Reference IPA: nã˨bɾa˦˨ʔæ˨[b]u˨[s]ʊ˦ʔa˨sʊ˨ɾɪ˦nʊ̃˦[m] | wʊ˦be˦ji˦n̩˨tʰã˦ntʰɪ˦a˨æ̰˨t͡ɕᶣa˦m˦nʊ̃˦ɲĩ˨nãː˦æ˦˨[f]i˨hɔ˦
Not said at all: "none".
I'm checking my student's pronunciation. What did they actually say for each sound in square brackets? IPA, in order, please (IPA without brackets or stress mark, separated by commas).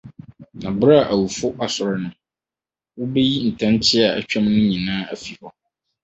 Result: w, f, none, f